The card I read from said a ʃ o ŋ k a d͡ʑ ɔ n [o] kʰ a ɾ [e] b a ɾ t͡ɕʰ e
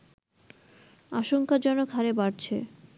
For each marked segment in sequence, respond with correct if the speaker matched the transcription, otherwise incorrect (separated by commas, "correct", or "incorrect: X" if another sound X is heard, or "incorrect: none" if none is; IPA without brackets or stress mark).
correct, correct